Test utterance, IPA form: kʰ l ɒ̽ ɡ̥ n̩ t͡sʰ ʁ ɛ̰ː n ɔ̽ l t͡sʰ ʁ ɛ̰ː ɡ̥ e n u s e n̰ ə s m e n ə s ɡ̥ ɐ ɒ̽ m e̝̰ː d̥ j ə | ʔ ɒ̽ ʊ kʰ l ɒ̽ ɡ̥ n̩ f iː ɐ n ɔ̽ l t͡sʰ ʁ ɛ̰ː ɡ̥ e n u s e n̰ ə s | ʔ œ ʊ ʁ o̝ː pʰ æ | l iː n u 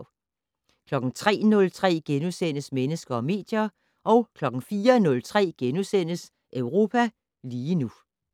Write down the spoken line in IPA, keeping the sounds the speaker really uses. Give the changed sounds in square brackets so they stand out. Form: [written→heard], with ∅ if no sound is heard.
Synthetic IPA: kʰ l ɒ̽ ɡ̥ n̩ t͡sʰ ʁ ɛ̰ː n ɔ̽ l t͡sʰ ʁ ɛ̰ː ɡ̥ e n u s e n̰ ə s m e n ə s ɡ̥ ɐ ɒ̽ m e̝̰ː d̥ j [ə→ɐ] | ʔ ɒ̽ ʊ kʰ l ɒ̽ ɡ̥ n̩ f iː ɐ n ɔ̽ l t͡sʰ ʁ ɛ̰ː ɡ̥ e n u s e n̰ ə s | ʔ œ ʊ ʁ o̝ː pʰ æ | l iː n u